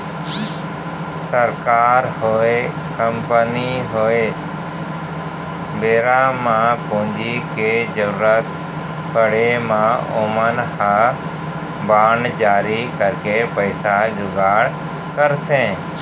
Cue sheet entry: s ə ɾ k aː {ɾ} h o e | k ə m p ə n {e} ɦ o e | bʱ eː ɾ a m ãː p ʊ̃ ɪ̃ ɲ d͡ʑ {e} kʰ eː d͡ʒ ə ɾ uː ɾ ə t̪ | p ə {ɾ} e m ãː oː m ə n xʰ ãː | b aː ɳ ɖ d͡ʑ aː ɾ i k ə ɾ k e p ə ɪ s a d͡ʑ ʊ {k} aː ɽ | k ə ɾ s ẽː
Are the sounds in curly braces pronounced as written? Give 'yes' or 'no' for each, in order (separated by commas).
yes, no, no, no, no